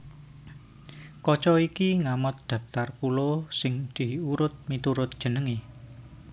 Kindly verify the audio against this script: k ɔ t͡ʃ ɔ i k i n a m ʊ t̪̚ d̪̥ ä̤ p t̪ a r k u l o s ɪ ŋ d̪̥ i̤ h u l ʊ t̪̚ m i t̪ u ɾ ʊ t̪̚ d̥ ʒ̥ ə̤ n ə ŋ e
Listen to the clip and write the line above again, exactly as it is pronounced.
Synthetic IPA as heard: k ɔ t͡ʃ ɔ i k i ŋ a m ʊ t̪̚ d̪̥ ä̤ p t̪ a r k u l o s ɪ ŋ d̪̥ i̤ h u ɾ ʊ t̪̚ m i t̪ u ɾ ʊ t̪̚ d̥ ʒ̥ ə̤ n ə ŋ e